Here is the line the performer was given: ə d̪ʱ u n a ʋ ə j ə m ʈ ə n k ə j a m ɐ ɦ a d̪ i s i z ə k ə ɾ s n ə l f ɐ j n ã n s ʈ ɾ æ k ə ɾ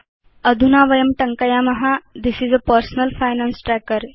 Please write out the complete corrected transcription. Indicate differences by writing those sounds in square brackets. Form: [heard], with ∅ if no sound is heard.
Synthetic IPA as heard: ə d̪ʱ u n a ʋ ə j ə m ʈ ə [ŋ] k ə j a m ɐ ɦ a d̪ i s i z ə [p] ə ɾ s n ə l f [a] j n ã n s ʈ ɾ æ k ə ɾ